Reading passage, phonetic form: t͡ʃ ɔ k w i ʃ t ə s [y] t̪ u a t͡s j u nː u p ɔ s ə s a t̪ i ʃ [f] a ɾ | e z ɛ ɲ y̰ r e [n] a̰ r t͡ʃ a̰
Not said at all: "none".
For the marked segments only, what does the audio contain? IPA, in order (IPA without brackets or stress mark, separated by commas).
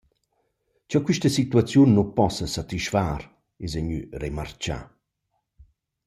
i, f, m